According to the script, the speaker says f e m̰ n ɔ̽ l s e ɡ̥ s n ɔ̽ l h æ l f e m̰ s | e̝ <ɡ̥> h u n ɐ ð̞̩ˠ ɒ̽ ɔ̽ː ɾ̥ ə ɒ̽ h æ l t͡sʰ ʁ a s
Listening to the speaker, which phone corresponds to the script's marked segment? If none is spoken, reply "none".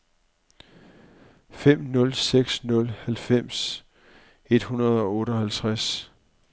d̥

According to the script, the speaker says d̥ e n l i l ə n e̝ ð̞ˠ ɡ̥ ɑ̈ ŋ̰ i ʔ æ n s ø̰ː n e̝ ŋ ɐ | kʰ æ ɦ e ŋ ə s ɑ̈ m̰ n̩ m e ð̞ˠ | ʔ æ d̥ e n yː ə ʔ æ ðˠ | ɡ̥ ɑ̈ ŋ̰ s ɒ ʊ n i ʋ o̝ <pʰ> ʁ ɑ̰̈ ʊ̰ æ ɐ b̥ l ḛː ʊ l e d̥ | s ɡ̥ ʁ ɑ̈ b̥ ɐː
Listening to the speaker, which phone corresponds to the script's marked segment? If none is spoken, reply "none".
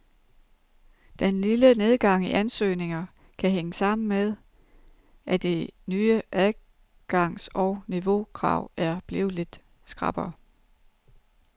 kʰ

